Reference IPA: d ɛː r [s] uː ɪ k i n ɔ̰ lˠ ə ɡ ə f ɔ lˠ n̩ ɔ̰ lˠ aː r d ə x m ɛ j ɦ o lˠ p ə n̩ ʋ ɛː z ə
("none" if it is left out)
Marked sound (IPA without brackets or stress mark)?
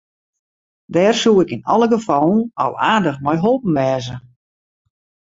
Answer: s